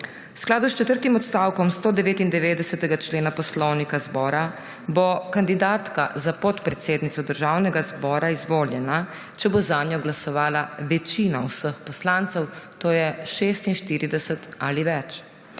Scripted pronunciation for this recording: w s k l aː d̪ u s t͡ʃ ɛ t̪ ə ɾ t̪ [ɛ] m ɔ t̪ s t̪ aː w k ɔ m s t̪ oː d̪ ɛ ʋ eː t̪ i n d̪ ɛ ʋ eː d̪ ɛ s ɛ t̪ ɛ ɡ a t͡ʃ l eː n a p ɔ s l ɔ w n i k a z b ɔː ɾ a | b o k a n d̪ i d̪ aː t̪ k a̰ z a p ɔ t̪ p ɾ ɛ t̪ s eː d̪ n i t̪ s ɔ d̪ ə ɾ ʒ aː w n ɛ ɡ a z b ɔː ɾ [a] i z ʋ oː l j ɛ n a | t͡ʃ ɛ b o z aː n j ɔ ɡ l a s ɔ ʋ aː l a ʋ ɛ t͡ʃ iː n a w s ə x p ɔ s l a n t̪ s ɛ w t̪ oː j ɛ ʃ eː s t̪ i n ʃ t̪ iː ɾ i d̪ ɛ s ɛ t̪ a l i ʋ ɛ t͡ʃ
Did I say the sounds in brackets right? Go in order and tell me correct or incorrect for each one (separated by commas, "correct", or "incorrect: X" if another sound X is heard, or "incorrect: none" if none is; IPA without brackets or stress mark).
incorrect: i, correct